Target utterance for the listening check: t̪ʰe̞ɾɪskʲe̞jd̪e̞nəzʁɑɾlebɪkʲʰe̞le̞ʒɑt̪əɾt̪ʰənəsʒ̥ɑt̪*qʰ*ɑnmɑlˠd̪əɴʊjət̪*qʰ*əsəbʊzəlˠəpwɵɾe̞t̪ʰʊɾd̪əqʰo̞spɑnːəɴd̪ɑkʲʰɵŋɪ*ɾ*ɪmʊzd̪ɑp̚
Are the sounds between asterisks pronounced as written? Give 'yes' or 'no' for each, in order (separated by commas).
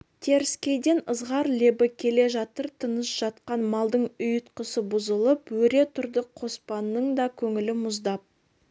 no, no, no